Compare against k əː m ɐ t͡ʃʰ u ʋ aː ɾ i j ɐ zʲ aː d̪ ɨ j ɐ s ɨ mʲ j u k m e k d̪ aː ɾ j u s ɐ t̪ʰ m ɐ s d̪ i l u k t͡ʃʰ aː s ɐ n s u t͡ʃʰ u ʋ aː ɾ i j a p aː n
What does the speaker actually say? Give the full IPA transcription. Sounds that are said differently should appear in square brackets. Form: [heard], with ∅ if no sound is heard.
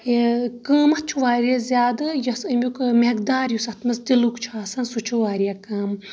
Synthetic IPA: k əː m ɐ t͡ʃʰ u ʋ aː ɾ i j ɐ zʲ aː d̪ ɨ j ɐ s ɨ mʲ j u k m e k d̪ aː ɾ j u s ɐ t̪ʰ m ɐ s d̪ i l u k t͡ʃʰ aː s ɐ n s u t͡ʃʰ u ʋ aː ɾ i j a [k] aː [m]